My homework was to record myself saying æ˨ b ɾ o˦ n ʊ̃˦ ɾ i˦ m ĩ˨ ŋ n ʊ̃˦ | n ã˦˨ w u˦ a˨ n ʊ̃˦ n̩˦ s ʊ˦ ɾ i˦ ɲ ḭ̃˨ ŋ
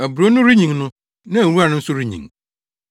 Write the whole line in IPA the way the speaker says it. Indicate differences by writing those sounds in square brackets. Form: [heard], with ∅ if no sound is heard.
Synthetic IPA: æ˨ b ɾ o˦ n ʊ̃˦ ɾ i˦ [ɲ] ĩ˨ ŋ n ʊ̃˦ | n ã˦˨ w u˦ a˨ n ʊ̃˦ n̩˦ s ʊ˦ ɾ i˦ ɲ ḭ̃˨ ŋ